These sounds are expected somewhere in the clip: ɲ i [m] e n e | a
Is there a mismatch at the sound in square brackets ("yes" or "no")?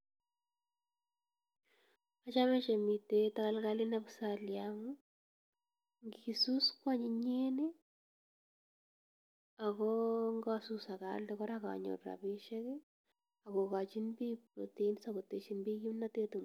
yes